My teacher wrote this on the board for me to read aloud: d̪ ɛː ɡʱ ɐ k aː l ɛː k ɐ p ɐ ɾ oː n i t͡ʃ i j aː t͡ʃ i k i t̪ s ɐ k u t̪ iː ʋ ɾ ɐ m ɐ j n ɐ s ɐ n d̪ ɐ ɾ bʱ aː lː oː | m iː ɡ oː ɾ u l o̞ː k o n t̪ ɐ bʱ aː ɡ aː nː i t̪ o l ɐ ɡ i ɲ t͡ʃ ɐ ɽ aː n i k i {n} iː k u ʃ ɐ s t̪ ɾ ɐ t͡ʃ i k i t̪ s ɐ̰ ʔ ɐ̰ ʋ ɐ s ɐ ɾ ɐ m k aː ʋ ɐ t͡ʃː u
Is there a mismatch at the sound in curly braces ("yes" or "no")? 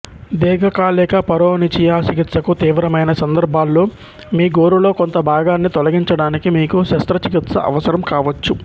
yes